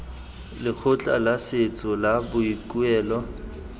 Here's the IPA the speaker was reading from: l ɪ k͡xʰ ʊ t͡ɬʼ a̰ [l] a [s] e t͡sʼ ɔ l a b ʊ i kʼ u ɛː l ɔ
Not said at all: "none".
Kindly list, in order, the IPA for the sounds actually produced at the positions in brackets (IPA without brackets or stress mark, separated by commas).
l, s